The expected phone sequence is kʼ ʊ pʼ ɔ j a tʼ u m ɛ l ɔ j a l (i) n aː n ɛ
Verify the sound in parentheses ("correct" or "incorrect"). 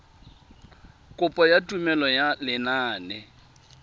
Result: incorrect